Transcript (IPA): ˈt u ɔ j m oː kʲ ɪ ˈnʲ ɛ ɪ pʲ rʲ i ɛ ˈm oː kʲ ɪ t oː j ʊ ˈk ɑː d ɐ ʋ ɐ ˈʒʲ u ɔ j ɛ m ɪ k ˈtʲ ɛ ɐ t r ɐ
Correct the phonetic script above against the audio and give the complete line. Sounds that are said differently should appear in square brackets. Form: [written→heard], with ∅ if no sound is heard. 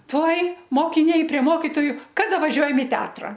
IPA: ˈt u ɔ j m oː kʲ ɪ ˈnʲ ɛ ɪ pʲ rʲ i ɛ ˈm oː kʲ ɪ t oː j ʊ ˈk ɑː d ɐ ʋ ɐ ˈʒʲ u ɔ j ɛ m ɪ [k→∅] ˈtʲ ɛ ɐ t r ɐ